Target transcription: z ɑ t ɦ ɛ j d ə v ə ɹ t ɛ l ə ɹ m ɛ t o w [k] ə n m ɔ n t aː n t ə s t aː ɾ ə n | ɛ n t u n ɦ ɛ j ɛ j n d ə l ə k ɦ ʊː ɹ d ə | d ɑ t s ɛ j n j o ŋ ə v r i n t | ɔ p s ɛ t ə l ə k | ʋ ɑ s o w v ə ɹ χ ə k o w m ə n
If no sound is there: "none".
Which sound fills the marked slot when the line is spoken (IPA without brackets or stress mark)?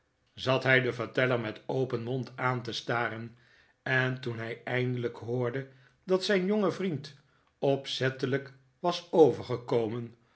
p